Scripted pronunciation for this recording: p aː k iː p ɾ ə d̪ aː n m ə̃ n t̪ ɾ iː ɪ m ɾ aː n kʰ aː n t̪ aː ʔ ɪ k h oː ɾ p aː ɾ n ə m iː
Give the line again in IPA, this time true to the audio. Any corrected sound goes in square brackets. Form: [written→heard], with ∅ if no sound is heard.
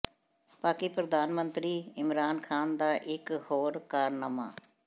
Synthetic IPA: p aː k iː p ɾ ə d̪ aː n m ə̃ n t̪ ɾ iː ɪ m ɾ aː n kʰ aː n [t̪→d̪] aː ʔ ɪ k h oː ɾ [p→k] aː ɾ n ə m [iː→aː]